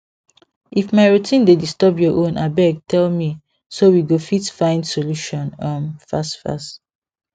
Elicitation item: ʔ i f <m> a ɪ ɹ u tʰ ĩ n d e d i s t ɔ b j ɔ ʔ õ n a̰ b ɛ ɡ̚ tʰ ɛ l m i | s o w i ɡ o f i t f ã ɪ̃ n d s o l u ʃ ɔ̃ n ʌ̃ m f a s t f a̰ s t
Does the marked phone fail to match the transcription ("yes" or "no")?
no